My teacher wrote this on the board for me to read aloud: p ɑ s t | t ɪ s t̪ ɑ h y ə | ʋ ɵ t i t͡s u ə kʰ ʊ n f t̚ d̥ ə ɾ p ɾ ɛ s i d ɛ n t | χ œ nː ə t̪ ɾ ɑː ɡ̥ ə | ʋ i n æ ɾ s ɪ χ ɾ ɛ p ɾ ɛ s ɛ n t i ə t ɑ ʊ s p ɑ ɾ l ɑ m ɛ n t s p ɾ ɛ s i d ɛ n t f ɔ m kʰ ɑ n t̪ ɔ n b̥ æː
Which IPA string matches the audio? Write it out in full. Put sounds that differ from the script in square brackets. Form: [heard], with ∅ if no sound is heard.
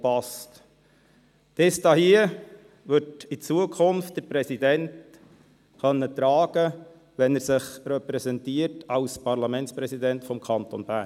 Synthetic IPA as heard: p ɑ s t | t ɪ s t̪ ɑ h [i] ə | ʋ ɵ t i t͡s u ə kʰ ʊ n f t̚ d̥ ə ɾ p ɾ ɛ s i d ɛ n t | χ œ nː ə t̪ ɾ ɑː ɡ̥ ə | ʋ [ɛ] n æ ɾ s ɪ χ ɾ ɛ p ɾ ɛ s ɛ n t i ə t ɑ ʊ s p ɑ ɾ l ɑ m ɛ n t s p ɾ ɛ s i d ɛ n t f ɔ m kʰ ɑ n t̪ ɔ n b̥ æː